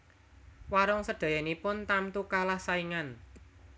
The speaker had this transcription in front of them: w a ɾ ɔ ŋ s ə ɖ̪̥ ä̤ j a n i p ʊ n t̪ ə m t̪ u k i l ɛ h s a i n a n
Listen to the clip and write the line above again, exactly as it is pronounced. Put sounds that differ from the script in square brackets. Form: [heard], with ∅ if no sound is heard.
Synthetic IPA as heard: w a ɾ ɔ ŋ s ə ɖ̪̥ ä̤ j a n i p ʊ n t̪ [a] m t̪ u k [a] l [a] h s a i [ŋ] a n

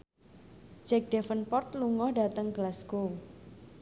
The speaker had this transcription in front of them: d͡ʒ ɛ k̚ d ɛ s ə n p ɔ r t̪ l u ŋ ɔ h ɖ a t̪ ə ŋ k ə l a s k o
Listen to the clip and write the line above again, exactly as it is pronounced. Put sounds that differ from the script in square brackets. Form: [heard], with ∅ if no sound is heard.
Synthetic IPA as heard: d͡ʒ ɛ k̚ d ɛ [f] ə n p ɔ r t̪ l u ŋ ɔ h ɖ a t̪ ə ŋ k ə l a s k o

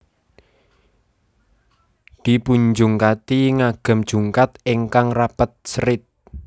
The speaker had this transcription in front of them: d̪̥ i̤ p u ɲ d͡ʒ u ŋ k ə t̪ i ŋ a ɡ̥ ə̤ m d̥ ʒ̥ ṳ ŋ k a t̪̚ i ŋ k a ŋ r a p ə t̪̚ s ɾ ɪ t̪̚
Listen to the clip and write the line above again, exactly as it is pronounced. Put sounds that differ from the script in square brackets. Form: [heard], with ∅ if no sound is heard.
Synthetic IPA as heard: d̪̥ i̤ p u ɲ d͡ʒ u ŋ k [a] t̪ i ŋ a ɡ̥ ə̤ m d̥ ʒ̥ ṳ ŋ k a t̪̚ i ŋ k a ŋ r a p ə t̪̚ s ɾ ɪ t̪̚

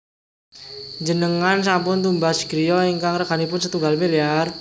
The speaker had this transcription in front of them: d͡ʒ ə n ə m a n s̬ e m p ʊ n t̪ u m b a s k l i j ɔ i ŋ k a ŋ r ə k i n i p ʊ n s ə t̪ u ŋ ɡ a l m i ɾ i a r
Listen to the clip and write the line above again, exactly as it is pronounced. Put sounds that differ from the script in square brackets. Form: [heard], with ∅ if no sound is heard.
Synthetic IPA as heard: d͡ʒ ə n ə [ŋ] a n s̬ [a] m p ʊ n t̪ u m b a s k [ɾ] i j ɔ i ŋ k a ŋ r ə k [a] n i p ʊ n s ə t̪ u ŋ ɡ a l m i [l] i a r

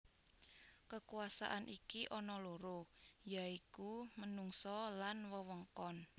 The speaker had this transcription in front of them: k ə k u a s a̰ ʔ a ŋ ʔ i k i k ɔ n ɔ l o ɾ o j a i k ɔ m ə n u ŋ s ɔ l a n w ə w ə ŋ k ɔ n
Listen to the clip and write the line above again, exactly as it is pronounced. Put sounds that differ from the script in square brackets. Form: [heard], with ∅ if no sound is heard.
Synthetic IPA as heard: k ə k u a s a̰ ʔ a [n] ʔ i k i [ʔ] ɔ n ɔ l o ɾ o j a i k [u] m ə n u ŋ s ɔ l a n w ə w ə ŋ k ɔ n

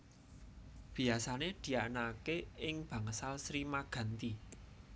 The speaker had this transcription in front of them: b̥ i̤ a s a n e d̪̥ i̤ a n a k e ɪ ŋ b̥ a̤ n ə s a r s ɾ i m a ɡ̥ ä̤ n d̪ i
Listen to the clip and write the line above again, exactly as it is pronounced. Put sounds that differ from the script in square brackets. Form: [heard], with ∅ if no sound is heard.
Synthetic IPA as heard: b̥ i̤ a s a n e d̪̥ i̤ a n a k e ɪ ŋ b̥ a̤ [ŋ] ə s a [l] s ɾ i m a ɡ̥ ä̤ n [t̪] i

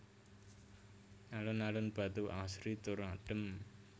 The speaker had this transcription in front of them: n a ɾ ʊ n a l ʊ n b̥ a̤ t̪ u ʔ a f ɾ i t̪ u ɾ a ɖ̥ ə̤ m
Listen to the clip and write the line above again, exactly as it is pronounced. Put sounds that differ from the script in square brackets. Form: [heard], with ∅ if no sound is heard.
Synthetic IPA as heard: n a [l] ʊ n a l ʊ n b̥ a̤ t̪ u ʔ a [s] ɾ i t̪ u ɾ a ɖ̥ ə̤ m

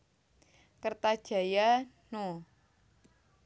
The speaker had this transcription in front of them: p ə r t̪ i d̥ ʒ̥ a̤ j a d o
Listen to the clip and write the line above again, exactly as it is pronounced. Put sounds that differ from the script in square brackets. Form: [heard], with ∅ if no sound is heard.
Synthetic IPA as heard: [k] ə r t̪ [a] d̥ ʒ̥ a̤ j a [n] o

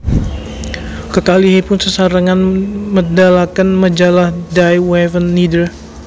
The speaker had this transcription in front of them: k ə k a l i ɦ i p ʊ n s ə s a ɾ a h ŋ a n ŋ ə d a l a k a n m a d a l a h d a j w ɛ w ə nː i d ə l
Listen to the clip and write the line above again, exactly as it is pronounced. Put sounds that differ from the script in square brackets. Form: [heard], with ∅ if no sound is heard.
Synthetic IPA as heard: k ə k a l i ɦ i p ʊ n s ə s a ɾ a [∅] ŋ a n [m] ə d a l a k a n m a [d͡ʒ] a l a h d a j w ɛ [v] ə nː i d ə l

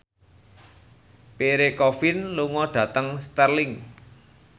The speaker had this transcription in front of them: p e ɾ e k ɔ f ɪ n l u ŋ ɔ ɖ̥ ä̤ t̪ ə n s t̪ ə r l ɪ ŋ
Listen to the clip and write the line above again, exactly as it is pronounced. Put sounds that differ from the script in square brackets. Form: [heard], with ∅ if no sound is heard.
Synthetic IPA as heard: p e ɾ e k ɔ f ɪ n l u ŋ ɔ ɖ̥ ä̤ t̪ ə [ŋ] s t̪ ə r l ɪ ŋ

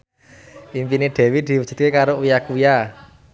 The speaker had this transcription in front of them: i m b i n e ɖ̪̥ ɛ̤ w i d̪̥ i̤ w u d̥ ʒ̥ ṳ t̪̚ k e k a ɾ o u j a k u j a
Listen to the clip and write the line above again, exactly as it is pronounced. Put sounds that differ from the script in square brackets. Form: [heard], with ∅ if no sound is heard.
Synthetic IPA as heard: i m [p] i n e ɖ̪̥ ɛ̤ w i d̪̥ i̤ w u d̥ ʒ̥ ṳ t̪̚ k e k a ɾ o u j a k u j a

